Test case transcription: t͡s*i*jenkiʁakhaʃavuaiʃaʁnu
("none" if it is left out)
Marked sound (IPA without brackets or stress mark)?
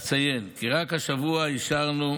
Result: a